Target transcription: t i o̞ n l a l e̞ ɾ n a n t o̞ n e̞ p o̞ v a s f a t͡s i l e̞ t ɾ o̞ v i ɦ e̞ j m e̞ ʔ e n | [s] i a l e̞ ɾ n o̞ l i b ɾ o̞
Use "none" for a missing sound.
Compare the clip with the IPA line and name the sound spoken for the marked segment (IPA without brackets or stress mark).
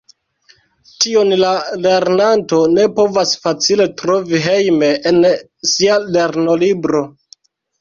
s